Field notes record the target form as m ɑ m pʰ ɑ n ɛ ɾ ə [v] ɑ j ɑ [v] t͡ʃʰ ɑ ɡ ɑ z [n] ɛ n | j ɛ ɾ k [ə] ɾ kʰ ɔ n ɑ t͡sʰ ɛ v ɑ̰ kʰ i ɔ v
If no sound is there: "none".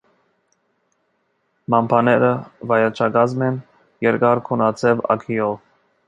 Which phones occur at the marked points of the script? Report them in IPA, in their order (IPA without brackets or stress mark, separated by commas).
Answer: v, none, m, ɑ